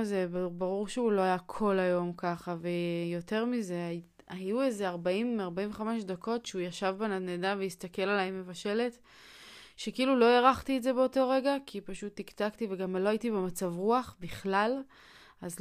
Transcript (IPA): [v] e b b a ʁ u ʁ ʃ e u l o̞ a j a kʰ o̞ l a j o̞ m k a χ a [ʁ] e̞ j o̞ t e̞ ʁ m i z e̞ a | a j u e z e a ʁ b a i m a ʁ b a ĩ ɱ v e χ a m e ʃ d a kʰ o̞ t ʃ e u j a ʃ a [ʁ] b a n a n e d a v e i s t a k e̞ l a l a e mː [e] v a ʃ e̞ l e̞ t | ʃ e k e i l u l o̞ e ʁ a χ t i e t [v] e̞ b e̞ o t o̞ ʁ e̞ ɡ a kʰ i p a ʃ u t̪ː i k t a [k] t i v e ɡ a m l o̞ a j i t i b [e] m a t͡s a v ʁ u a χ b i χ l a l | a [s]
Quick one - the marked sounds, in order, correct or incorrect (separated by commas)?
incorrect, incorrect, incorrect, correct, incorrect, correct, correct, incorrect